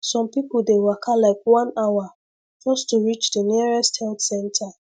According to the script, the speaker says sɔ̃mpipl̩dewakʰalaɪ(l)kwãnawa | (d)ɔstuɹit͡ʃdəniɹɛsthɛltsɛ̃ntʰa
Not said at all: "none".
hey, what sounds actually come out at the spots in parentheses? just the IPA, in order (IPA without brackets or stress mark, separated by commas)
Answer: none, d͡ʒ